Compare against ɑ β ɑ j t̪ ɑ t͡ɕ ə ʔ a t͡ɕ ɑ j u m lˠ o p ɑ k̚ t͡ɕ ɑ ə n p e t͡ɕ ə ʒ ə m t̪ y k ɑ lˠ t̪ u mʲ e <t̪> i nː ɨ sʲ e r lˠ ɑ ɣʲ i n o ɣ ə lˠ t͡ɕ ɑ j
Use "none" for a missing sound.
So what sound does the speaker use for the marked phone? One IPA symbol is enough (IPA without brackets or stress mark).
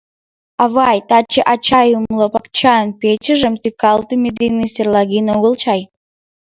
d̪